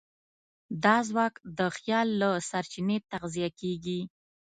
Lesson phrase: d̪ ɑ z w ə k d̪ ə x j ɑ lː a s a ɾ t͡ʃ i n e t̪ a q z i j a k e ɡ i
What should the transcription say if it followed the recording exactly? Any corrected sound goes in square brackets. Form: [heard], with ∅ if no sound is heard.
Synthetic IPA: d̪ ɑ z w [ɑ] k d̪ ə x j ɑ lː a s a ɾ t͡ʃ i n e t̪ a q z i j a k e ɡ i